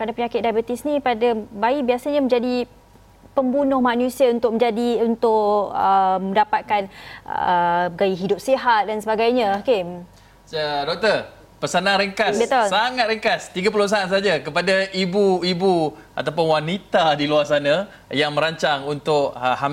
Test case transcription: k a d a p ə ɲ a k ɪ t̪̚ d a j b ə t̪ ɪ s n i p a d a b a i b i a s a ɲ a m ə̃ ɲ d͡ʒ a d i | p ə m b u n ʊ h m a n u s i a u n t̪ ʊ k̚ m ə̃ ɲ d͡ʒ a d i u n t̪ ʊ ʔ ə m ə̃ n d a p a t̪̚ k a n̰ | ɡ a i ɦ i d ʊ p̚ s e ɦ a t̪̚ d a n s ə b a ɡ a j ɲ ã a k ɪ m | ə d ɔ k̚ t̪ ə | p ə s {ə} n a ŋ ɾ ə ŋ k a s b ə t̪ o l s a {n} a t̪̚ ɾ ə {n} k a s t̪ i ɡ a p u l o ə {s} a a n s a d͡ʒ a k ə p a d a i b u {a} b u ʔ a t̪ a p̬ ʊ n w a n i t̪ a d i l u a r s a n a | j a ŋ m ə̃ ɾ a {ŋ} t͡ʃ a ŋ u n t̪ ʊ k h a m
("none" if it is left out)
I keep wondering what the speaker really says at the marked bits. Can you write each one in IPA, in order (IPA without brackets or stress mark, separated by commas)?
a, ŋ, ŋ, s, i, ɲ